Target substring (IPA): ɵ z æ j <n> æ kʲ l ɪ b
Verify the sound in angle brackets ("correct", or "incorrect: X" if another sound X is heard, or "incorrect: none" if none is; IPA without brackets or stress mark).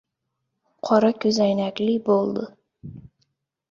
correct